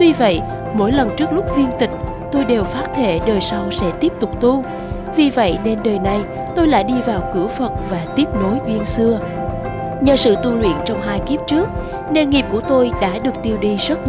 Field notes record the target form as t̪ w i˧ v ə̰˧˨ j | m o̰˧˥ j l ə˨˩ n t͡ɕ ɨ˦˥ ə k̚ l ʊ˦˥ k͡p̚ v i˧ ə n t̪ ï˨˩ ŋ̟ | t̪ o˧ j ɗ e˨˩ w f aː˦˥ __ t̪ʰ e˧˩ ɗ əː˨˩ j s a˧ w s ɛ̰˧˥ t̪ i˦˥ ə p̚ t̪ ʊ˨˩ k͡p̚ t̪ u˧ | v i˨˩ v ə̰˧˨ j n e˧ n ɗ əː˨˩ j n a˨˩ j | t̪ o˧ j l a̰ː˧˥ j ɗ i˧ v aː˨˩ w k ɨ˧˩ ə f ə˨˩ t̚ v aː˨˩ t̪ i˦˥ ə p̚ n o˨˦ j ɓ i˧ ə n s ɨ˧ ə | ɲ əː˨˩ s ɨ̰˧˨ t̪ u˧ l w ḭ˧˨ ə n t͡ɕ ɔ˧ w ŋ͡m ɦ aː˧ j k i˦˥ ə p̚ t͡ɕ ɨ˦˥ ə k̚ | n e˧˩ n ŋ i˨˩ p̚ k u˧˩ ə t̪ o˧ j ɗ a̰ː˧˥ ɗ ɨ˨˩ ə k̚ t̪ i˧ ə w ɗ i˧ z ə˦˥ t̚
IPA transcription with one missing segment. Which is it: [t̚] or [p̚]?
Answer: t̚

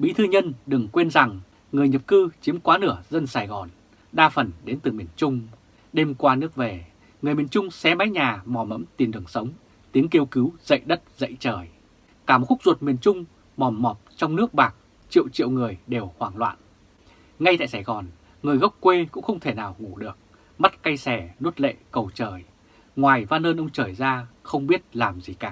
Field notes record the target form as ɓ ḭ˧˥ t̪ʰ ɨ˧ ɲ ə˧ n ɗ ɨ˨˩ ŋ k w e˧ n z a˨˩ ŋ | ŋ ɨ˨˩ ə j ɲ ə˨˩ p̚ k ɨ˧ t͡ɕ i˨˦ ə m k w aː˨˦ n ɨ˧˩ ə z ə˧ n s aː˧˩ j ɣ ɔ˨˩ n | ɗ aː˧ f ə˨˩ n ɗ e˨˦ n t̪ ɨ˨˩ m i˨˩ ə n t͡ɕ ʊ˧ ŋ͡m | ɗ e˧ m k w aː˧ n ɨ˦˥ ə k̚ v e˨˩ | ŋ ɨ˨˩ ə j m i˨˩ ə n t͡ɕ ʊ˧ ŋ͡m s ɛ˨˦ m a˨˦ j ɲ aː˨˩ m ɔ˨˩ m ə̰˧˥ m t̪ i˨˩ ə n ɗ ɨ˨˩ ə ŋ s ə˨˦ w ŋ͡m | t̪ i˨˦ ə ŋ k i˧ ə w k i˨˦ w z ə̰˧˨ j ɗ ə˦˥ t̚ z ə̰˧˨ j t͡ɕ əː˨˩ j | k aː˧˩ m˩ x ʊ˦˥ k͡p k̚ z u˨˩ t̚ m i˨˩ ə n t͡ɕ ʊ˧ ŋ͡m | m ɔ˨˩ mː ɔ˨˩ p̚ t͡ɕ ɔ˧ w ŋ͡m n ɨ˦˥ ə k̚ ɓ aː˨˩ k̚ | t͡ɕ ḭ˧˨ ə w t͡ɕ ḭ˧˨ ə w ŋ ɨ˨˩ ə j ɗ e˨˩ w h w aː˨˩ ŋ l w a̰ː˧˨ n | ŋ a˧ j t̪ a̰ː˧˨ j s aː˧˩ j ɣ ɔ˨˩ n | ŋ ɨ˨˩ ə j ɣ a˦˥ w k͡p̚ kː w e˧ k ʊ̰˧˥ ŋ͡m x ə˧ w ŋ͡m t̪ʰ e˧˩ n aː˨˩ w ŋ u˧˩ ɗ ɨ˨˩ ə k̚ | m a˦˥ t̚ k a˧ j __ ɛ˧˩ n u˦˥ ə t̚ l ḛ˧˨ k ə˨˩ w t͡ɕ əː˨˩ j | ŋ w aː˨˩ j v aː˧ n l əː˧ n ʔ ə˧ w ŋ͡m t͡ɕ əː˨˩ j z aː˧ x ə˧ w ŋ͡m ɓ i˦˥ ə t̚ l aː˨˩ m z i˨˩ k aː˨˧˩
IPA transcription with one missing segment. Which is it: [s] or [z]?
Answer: s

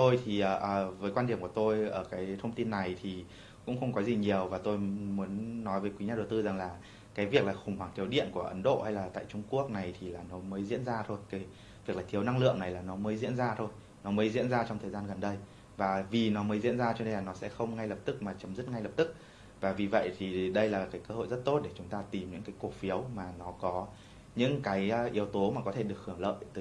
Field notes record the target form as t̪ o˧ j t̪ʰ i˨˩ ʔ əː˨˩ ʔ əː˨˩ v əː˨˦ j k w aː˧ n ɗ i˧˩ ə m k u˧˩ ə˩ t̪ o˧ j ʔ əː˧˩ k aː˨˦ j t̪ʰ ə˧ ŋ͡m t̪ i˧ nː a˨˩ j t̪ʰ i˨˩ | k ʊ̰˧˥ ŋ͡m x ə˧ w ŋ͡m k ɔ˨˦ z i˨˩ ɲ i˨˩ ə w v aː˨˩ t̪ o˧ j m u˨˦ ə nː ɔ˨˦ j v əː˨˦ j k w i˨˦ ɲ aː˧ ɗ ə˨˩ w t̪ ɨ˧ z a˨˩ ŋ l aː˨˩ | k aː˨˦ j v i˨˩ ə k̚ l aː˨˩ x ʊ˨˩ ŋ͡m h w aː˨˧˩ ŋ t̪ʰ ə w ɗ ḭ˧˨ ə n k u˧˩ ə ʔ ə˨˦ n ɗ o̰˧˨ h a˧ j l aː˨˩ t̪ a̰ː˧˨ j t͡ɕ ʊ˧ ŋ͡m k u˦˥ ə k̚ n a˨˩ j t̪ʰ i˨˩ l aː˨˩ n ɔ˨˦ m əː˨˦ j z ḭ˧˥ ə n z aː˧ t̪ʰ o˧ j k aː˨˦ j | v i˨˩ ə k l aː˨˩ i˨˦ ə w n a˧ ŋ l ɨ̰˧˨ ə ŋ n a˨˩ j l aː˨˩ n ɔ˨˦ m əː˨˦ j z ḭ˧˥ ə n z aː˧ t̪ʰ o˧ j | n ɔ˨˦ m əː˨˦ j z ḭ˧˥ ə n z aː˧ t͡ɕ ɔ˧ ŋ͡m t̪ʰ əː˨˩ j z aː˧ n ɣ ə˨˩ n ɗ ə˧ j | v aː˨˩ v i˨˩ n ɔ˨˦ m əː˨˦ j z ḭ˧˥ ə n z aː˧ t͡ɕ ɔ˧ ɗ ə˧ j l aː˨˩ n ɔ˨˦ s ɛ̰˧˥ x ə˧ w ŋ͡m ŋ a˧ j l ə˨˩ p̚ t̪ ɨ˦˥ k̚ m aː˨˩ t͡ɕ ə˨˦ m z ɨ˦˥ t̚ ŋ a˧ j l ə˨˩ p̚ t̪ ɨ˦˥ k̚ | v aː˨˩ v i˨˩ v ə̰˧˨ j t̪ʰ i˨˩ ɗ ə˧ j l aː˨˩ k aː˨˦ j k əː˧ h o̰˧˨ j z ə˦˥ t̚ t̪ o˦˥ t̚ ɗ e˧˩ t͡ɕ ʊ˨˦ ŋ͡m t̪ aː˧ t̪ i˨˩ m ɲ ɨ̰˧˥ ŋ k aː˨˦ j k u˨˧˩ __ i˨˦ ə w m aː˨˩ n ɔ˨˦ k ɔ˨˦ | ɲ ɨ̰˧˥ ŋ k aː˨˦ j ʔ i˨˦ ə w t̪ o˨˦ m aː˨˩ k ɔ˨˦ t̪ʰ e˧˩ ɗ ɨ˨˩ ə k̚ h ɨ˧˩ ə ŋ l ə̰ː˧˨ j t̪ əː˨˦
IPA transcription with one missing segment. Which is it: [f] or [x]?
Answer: f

